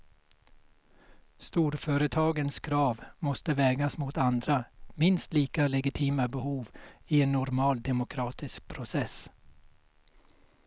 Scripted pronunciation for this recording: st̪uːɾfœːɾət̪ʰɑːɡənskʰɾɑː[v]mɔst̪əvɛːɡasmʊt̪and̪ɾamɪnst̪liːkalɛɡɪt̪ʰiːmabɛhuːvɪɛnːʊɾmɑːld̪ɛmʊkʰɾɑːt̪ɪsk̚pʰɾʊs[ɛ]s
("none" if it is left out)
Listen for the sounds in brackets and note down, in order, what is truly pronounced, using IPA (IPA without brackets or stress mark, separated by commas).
v, ɛ